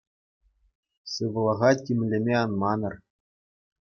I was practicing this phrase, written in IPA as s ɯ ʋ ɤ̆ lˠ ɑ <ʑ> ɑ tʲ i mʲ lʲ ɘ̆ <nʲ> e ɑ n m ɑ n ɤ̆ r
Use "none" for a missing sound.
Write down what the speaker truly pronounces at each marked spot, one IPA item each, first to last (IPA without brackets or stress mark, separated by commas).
ʁ, mʲ